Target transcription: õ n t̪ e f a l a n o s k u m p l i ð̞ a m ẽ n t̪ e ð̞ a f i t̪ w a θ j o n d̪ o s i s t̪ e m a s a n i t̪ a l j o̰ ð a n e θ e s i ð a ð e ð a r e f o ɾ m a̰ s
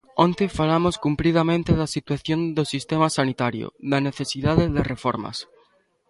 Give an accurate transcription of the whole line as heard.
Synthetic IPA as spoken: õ n t̪ e f a l a m o s k u m p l i ð̞ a m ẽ n t̪ e ð̞ a s i t̪ w a θ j o n d̪ o s i s t̪ e m a s a n i t̪ a ɾ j o̰ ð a n e θ e s i ð a ð e ð e r e f o ɾ m a̰ s